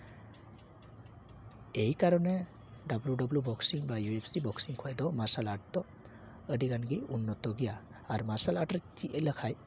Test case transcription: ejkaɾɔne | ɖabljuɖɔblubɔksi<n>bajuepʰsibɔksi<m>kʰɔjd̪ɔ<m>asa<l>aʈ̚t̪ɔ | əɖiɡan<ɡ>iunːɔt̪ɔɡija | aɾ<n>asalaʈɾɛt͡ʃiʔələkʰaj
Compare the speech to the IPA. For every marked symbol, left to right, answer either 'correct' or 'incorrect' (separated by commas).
incorrect, incorrect, correct, correct, correct, incorrect